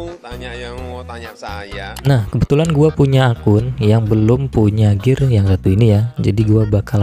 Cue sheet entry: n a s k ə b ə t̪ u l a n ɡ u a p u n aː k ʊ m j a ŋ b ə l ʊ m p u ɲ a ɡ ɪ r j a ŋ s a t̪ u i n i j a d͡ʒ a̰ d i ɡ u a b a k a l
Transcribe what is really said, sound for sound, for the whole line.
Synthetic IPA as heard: n a h k ə b ə t̪ u l a n ɡ u a p u ɲ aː k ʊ n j a ŋ b ə l ʊ m p u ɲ a ɡ ɪ r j a ŋ s a t̪ u i n i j a d͡ʒ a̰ d i ɡ u a b a k a l